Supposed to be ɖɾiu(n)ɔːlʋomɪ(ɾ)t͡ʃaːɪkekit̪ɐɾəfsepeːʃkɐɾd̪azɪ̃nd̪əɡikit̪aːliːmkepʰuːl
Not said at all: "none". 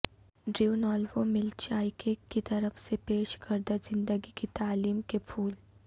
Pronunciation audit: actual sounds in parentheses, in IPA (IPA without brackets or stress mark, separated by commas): n, l